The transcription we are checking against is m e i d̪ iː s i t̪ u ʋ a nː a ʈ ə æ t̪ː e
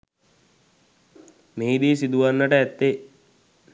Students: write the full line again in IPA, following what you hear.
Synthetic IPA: m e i d̪ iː s i d̪ u ʋ a nː ə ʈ ə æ t̪ː e